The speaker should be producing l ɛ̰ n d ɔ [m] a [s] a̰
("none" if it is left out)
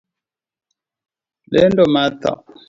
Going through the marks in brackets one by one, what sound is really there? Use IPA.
m, t

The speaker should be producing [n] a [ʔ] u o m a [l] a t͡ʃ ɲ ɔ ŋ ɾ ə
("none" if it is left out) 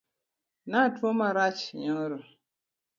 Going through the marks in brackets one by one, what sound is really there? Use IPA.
n, t, ɾ

